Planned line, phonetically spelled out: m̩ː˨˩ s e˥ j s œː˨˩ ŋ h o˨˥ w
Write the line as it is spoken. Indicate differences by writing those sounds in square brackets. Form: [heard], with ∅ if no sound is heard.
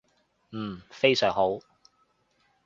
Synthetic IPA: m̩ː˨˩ [f] e˥ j s œː˨˩ ŋ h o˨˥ w

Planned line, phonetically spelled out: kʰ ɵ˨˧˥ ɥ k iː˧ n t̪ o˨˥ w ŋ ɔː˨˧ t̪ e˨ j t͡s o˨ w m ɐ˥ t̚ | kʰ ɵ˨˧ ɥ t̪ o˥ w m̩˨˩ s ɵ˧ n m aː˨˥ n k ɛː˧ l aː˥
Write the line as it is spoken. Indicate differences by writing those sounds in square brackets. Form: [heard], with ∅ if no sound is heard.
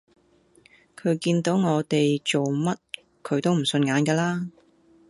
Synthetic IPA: kʰ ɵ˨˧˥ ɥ k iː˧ n t̪ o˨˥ w ŋ ɔː˨˧ t̪ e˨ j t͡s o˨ w m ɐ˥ t̚ | kʰ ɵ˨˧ ɥ t̪ o˥ w m̩˨˩ s ɵ˧ n [ŋ] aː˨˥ n k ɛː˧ l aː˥

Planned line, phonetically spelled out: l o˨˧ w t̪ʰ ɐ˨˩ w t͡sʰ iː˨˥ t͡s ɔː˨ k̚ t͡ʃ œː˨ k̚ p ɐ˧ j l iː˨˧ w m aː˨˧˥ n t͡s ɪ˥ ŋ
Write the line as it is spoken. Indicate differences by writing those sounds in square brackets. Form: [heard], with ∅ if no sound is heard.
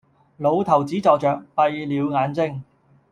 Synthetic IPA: l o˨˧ w t̪ʰ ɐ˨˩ w [t͡s] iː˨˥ t͡s ɔː˨ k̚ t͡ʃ œː˨ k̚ p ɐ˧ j l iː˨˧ w [ŋ] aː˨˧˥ n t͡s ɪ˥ ŋ

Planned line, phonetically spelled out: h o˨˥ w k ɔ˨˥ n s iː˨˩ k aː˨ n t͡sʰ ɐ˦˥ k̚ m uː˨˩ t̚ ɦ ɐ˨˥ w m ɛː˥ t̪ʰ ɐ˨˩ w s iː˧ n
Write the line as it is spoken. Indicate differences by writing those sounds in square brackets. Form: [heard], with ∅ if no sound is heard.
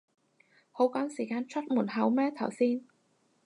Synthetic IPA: h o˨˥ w k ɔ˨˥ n s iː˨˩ k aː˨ n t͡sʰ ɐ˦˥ [t̚] m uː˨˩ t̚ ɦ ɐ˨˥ w m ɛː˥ t̪ʰ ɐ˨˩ w s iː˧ n

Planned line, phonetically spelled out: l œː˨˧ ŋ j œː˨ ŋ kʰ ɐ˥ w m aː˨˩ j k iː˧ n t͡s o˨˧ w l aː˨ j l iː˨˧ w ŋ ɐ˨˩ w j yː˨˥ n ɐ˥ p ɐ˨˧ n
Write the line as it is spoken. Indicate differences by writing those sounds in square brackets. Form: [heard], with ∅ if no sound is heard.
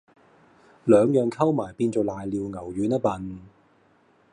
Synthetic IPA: l œː˨˧ ŋ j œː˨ ŋ kʰ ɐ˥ w m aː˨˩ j [p] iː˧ n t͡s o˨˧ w l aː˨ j l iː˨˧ w ŋ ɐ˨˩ w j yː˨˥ n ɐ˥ p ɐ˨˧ n

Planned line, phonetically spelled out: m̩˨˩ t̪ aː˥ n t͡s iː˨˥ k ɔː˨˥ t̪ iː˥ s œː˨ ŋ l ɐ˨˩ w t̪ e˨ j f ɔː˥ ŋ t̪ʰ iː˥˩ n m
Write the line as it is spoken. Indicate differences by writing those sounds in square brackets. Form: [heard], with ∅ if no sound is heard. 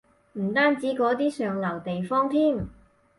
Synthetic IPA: m̩˨˩ t̪ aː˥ n t͡s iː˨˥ k ɔː˨˥ t̪ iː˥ s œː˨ ŋ l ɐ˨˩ w t̪ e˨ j f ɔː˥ ŋ t̪ʰ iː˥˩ [∅] m

